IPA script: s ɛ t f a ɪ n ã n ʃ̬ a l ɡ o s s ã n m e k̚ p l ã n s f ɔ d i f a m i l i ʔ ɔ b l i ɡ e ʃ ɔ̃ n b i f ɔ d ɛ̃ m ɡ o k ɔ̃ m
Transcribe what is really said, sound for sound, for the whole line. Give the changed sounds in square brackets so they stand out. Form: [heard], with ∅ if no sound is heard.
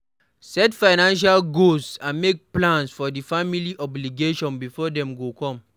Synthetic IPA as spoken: s ɛ t f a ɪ n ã n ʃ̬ a l ɡ o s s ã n m e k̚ p l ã n s f ɔ d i f a m i l i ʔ ɔ b l i ɡ e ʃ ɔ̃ n b i f ɔ d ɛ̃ m ɡ o k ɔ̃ m